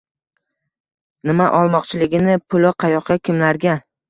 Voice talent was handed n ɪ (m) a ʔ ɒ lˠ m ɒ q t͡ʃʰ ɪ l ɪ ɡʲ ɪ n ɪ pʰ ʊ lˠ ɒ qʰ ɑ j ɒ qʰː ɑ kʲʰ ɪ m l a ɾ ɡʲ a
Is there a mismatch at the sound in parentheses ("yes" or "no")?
no